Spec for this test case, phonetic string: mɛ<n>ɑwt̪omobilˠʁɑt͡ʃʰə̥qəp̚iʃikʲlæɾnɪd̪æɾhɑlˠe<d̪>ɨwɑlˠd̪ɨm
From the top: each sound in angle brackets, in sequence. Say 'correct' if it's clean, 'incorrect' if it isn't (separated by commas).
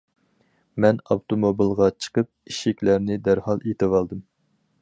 correct, incorrect